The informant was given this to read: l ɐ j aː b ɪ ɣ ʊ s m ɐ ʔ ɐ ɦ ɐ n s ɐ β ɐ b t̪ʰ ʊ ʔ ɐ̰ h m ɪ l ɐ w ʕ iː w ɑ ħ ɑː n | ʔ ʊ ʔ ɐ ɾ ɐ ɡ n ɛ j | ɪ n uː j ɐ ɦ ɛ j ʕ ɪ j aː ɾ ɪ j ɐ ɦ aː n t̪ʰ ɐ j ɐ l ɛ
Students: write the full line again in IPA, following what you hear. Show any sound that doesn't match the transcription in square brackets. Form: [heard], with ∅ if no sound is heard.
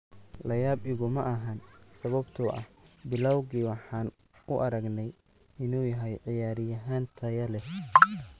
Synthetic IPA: l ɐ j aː b ɪ ɣ ʊ [∅] m ɐ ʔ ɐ ɦ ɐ n s ɐ β ɐ b t̪ʰ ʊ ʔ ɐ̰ h [b] ɪ l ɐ w [ɣ] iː w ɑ ħ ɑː n | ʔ ʊ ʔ ɐ ɾ ɐ ɡ n ɛ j | ɪ n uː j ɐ ɦ ɛ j ʕ ɪ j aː ɾ ɪ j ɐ ɦ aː n t̪ʰ ɐ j ɐ l ɛ